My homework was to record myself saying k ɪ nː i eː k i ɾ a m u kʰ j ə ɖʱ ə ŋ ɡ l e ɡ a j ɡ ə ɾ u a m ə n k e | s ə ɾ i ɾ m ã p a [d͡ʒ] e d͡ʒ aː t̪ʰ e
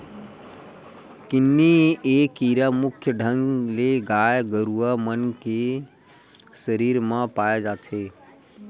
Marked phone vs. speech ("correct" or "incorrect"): incorrect